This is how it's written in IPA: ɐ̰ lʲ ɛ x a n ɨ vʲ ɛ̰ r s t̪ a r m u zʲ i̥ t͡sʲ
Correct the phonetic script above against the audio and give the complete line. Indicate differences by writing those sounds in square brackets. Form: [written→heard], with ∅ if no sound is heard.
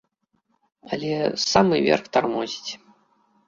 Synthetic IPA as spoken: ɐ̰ lʲ ɛ [x→s] a [n→m] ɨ vʲ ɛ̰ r [s→x] t̪ a r m [u→ɔ] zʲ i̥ t͡sʲ